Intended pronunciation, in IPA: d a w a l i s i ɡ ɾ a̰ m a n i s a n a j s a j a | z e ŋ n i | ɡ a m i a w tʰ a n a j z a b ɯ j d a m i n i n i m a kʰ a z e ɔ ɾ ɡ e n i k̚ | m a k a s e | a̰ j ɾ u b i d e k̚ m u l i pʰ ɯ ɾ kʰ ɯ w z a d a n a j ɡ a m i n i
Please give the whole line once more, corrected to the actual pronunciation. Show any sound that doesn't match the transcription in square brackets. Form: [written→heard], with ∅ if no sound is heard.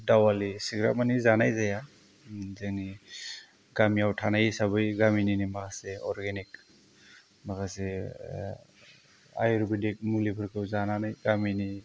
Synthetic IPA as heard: d a w a l i s i ɡ ɾ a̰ m a n i [s→z] a n a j [s→z] a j a | z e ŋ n i | ɡ a m i a w tʰ a n a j [z→s] a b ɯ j [d→ɡ] a m i n i n i m a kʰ a [z→s] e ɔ ɾ ɡ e n i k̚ | m a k a s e | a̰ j ɾ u b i d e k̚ m u l i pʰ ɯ ɾ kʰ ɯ w z a [d→n] a n a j ɡ a m i n i